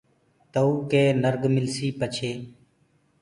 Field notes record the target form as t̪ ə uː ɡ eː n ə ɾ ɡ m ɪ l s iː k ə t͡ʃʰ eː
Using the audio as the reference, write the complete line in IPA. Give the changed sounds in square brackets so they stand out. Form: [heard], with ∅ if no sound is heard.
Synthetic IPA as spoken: t̪ ə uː [k] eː n ə ɾ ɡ m ɪ l s iː [p] ə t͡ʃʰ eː